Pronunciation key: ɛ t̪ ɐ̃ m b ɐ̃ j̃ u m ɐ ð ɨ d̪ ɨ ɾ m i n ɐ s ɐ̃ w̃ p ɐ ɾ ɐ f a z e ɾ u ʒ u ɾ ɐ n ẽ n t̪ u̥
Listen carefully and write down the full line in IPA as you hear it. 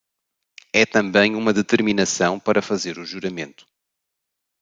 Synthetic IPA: ɛ t̪ ɐ̃ m b ɐ̃ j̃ u m ɐ ð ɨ t̪ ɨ ɾ m i n ɐ s ɐ̃ w̃ p ɐ ɾ ɐ f ɐ z e ɾ u ʒ u ɾ ɐ m ẽ n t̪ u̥